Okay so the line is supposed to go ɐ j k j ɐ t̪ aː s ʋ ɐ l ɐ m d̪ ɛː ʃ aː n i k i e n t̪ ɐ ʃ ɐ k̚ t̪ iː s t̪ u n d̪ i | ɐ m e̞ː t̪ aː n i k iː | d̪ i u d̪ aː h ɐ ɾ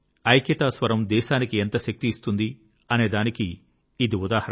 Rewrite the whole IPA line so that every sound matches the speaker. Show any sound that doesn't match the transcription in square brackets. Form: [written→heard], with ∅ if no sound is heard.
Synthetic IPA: ɐ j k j ɐ t̪ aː s ʋ ɐ [l→ɾ] ɐ m d̪ ɛː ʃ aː n i k i e n t̪ ɐ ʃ ɐ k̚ t̪ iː s t̪ u n d̪ i | ɐ [m→n] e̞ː [t̪→d̪] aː n i k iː | d̪ i u d̪ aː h ɐ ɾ

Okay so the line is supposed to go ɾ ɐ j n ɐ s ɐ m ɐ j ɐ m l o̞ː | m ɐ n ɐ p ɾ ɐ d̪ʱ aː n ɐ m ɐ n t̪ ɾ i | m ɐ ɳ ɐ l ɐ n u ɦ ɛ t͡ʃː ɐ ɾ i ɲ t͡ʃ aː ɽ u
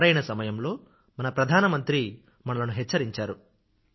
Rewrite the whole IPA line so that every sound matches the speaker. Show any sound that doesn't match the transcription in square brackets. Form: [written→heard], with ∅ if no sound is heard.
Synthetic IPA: ɾ ɐ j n ɐ s ɐ m ɐ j ɐ m l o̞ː | m ɐ n ɐ p ɾ ɐ d̪ʱ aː n ɐ m ɐ n t̪ ɾ i | m ɐ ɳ ɐ l ɐ n u ɦ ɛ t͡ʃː ɐ ɾ i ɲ t͡ʃ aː [ɽ→ɾ] u

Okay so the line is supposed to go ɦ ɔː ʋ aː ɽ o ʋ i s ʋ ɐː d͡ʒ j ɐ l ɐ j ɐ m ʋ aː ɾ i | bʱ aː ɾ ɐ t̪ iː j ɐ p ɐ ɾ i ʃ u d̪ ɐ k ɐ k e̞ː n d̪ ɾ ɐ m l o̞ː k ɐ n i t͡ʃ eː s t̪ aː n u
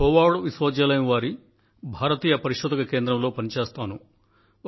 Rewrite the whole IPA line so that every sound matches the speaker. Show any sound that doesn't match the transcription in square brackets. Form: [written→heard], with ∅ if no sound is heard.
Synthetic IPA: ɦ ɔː ʋ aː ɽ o ʋ i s ʋ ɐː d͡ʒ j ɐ l ɐ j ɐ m ʋ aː ɾ i | bʱ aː ɾ ɐ t̪ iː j ɐ p ɐ ɾ i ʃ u d̪ ɐ k ɐ k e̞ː n d̪ ɾ ɐ m l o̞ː [k→p] ɐ n i t͡ʃ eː s t̪ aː n u

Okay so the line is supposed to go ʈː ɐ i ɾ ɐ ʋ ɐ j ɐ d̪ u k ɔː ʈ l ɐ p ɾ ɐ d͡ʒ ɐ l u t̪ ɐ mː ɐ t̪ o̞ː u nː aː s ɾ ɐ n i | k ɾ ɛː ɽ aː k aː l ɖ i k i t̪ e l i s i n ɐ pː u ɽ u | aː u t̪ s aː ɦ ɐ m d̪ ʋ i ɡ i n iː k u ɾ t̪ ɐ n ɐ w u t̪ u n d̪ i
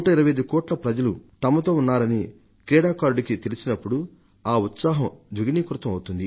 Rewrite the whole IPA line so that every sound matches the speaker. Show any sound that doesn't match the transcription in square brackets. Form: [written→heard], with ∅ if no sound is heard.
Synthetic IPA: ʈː ɐ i ɾ ɐ ʋ ɐ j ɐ d̪ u k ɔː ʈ l ɐ p ɾ ɐ d͡ʒ ɐ l u t̪ ɐ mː ɐ t̪ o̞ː u nː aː [s→∅] ɾ ɐ n i | k ɾ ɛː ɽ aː k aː [l→ɾ] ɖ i k i t̪ e l i s i n ɐ pː u ɽ u | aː u t̪ s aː ɦ ɐ m d̪ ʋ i ɡ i n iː k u ɾ t̪ ɐ [n→m] ɐ w u t̪ u n d̪ i

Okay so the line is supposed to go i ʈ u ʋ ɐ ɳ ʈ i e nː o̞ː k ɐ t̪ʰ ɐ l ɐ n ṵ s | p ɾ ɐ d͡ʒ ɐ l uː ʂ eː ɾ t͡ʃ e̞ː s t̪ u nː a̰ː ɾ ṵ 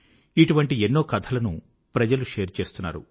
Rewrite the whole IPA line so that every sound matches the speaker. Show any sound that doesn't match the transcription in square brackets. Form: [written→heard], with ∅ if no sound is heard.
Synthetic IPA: i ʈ u ʋ ɐ ɳ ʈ i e nː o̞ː k ɐ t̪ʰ ɐ l ɐ n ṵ [s→∅] | p ɾ ɐ d͡ʒ ɐ l [uː→u] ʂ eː ɾ t͡ʃ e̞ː s t̪ u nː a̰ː ɾ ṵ

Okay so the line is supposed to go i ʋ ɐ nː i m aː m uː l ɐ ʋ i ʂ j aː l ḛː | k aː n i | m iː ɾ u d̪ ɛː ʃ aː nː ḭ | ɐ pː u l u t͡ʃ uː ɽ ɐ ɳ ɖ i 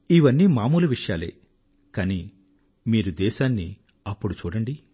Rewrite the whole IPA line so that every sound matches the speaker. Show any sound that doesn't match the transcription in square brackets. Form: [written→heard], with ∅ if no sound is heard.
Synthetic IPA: i ʋ ɐ nː i m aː m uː l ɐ ʋ i ʂ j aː l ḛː | k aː n i | m iː ɾ u d̪ ɛː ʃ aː nː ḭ | ɐ pː u [l→ɽ] u t͡ʃ uː ɽ ɐ ɳ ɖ i

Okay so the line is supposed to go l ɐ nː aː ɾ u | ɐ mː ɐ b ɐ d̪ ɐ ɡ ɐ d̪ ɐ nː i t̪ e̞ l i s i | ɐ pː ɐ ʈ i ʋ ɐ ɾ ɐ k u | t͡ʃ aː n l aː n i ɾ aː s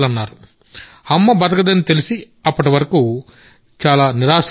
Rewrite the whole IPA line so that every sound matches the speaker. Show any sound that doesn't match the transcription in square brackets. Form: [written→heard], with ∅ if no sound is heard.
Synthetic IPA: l ɐ nː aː ɾ u | ɐ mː ɐ b ɐ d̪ ɐ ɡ ɐ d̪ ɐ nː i t̪ e̞ l i s i | ɐ pː ɐ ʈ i ʋ ɐ ɾ ɐ k u | t͡ʃ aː [n→∅] l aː n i ɾ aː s

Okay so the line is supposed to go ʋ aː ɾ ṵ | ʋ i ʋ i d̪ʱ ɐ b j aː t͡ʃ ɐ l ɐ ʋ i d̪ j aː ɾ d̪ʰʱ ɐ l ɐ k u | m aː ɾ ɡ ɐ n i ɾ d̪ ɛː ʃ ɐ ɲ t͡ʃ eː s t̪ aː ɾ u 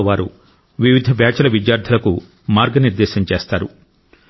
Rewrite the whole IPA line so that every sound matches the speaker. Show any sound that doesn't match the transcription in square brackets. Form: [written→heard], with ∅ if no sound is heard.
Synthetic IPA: ʋ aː ɾ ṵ | ʋ i ʋ i d̪ʱ ɐ b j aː t͡ʃ ɐ l ɐ ʋ i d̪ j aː ɾ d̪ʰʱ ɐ l ɐ k u | m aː ɾ ɡ ɐ n i ɾ d̪ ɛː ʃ ɐ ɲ t͡ʃ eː s t̪ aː ɾ u

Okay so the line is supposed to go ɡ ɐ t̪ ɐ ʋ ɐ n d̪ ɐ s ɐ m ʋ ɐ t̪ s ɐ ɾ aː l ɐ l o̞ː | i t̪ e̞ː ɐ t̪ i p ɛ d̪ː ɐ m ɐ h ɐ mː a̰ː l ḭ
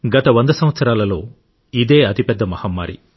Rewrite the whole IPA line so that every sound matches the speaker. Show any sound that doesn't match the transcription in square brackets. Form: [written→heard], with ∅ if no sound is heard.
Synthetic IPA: ɡ ɐ t̪ ɐ ʋ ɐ n d̪ ɐ s ɐ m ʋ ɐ t̪ s ɐ ɾ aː l ɐ l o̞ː | i [t̪→d̪] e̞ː ɐ t̪ i p ɛ d̪ː ɐ m ɐ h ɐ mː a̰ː [l→ɾ] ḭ

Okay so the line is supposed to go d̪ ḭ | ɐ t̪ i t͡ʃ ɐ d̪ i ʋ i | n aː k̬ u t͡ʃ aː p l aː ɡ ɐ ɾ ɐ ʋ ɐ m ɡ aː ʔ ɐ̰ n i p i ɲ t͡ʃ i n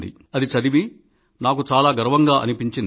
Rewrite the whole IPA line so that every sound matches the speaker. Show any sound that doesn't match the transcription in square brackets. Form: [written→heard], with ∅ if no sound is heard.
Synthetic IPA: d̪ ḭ | ɐ [t̪→d̪] i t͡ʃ ɐ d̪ i ʋ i | n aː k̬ u t͡ʃ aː [p→∅] l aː ɡ ɐ ɾ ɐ ʋ ɐ [m→ŋ] ɡ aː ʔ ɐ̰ n i p i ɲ t͡ʃ i n

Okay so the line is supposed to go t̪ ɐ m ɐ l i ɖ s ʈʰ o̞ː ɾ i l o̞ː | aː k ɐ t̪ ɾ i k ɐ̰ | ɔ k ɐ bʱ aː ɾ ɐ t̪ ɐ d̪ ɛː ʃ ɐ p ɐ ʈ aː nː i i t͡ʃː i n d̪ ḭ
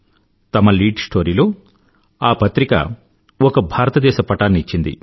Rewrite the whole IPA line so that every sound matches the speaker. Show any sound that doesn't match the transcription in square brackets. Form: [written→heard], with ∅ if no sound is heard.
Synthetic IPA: t̪ ɐ m ɐ l [i→iː] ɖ s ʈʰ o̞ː ɾ i l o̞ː | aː [k→p] ɐ t̪ ɾ i k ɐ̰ | ɔ k ɐ bʱ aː ɾ ɐ t̪ ɐ d̪ ɛː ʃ ɐ p ɐ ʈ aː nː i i t͡ʃː i n d̪ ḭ

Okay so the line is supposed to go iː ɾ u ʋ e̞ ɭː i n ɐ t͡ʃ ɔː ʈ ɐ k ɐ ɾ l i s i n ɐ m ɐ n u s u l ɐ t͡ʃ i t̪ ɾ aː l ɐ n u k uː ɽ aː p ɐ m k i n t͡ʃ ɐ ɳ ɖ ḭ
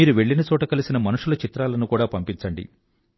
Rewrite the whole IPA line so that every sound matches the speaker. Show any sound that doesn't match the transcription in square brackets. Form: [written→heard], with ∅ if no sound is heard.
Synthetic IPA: iː ɾ u ʋ e̞ ɭː i n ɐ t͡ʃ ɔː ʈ ɐ k ɐ [ɾ→∅] l i s i n ɐ m ɐ n u [s→ʂ] u l ɐ t͡ʃ i t̪ ɾ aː l ɐ n u k uː ɽ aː p ɐ m [k→p] i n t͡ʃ ɐ ɳ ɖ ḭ

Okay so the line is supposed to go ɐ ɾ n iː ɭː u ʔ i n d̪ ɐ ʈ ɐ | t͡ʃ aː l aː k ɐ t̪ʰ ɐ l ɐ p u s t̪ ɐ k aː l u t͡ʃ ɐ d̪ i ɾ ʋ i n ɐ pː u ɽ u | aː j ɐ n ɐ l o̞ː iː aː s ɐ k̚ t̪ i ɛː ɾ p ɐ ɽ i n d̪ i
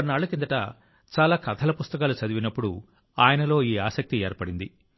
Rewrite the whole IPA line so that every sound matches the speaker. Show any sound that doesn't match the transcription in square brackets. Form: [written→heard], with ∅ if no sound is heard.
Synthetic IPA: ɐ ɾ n [iː→aː] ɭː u [ʔ→k] i n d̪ ɐ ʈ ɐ | t͡ʃ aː l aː k ɐ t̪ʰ ɐ l ɐ p u s t̪ ɐ k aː l u t͡ʃ ɐ d̪ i [ɾ→∅] ʋ i n ɐ pː u ɽ u | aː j ɐ n ɐ l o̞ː iː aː s ɐ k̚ t̪ i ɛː ɾ p ɐ ɽ i n d̪ i

